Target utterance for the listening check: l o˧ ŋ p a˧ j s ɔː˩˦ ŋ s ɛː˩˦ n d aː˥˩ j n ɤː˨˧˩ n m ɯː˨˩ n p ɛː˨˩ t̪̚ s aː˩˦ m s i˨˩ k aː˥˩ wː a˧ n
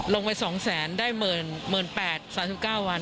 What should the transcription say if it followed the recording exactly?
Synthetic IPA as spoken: l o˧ ŋ p a˧ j s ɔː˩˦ ŋ s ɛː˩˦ n d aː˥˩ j m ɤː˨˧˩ n m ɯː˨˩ n p ɛː˨˩ t̪̚ s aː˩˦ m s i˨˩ k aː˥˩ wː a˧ n